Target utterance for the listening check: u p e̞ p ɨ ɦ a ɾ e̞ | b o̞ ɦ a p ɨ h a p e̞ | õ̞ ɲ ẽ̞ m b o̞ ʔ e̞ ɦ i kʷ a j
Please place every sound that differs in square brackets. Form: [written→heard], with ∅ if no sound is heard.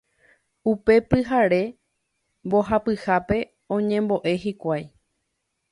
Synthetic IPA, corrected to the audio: u p e̞ p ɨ ɦ a ɾ e̞ | b o̞ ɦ a p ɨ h a p e̞ | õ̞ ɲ ẽ̞ m b o̞ ʔ e̞ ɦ i kʷ a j